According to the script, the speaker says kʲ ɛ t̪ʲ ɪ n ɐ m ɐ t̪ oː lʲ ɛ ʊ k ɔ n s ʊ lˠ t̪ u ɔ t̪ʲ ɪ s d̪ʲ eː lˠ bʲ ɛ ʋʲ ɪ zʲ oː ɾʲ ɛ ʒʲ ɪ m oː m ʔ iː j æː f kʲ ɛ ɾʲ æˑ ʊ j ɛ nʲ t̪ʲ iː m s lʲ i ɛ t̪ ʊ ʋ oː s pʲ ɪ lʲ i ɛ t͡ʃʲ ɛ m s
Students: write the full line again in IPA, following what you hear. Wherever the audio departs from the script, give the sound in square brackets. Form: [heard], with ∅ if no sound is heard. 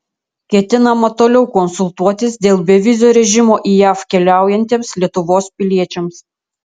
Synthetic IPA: kʲ ɛ t̪ʲ ɪ n ɐ m ɐ t̪ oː lʲ ɛ ʊ k ɔ n s ʊ lˠ t̪ u ɔ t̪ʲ ɪ s d̪ʲ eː lˠ bʲ ɛ ʋʲ ɪ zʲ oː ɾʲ ɛ ʒʲ ɪ m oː [∅] ʔ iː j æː f kʲ ɛ [lʲ] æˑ ʊ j ɛ nʲ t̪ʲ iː m s lʲ i ɛ t̪ ʊ ʋ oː s pʲ ɪ lʲ i ɛ t͡ʃʲ ɛ m s